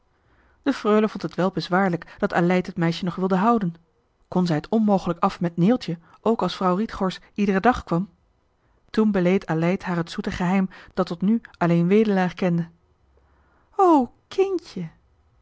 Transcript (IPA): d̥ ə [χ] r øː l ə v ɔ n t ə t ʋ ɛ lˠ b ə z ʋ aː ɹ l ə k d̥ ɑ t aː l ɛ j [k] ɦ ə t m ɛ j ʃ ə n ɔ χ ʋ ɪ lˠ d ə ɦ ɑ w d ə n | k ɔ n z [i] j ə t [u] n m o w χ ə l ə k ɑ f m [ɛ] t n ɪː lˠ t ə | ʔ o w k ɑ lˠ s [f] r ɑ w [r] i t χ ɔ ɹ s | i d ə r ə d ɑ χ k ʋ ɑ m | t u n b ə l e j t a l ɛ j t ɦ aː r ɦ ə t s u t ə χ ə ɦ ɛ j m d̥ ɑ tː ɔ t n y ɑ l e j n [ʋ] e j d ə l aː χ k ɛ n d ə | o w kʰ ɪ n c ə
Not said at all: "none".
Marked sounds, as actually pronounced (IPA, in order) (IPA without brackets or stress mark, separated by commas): f, t, ɛ, ɔ, ɛ, f, r, ʋ